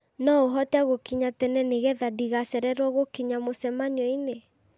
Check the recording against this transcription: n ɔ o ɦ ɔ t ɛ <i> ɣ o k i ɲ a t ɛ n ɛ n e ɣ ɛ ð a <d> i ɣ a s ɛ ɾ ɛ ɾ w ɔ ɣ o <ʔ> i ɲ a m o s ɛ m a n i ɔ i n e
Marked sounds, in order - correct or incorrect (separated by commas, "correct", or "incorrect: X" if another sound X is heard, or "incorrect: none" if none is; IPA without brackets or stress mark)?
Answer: incorrect: a, correct, incorrect: k